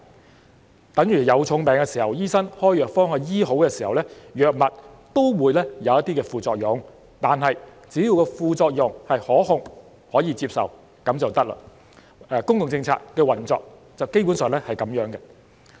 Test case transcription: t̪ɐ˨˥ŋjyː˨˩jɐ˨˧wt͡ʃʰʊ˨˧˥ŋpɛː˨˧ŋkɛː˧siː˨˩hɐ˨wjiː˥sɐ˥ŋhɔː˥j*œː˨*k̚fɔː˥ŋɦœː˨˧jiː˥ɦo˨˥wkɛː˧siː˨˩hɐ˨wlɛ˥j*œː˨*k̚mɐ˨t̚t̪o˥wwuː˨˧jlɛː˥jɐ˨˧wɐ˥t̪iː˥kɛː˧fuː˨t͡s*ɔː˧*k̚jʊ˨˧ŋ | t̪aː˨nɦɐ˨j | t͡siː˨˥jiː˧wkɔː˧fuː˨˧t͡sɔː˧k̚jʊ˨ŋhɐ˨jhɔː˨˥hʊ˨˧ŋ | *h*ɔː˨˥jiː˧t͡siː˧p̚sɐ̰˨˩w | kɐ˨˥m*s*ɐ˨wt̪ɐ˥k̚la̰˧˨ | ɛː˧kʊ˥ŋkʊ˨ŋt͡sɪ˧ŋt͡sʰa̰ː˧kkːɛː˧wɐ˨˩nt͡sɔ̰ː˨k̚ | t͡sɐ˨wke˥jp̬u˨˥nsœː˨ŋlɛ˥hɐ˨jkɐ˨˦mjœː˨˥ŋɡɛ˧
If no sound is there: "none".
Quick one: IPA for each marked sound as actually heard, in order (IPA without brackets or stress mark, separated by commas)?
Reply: œː˨, œː˨, ɔː˧, h, t͡s